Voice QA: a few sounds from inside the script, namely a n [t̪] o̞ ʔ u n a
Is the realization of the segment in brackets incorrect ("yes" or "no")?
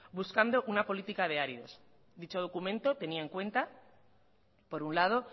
yes